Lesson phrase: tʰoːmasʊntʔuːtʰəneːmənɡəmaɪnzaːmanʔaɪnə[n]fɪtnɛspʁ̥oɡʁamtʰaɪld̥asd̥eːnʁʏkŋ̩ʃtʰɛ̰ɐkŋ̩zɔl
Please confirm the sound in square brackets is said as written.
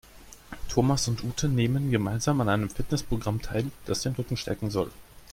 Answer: no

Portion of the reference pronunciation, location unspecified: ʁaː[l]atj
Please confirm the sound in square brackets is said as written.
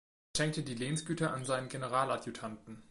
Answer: yes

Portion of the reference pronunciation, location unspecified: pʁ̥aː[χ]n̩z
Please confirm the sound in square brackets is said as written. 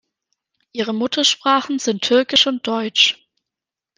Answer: yes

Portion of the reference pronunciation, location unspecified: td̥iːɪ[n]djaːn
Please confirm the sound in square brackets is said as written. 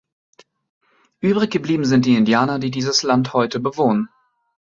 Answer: yes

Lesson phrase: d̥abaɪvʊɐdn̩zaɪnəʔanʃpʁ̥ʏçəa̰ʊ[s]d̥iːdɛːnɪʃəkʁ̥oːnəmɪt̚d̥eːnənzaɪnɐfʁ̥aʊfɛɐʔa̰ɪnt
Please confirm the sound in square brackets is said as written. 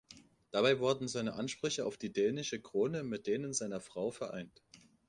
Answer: no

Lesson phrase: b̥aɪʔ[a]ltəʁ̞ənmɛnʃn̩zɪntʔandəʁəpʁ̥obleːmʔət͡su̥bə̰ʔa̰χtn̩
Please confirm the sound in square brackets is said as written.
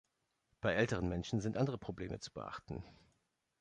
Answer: no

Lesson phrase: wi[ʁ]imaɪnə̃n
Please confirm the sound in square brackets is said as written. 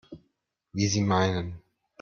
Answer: no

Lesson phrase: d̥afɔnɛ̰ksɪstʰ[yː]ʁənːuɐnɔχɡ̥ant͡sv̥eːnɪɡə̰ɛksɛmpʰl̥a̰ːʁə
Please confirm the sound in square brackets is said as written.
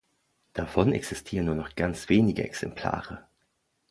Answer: no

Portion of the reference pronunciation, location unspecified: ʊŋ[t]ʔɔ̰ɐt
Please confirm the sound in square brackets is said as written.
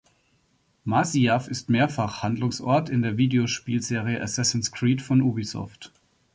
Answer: no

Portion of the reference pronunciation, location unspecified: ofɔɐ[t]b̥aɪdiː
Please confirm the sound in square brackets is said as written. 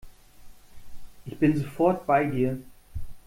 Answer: yes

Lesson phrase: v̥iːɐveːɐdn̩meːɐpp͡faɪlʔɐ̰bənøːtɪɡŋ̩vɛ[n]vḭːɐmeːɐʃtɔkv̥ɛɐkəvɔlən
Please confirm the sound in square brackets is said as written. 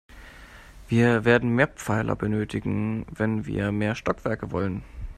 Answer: yes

